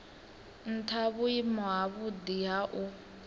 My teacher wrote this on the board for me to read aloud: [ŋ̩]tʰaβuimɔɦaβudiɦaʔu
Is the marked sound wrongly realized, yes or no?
yes